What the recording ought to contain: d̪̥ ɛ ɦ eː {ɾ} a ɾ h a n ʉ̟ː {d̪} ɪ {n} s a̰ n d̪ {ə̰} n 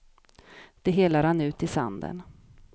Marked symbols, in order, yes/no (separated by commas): no, no, no, yes